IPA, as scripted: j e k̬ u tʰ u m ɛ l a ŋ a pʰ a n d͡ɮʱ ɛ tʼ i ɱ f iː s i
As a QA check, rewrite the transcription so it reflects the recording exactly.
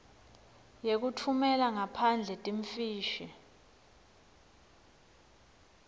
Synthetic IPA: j e k̬ u tʰ u m ɛ l a ŋ a pʰ a n d͡ɮʱ ɛ tʼ i ɱ f iː ʃ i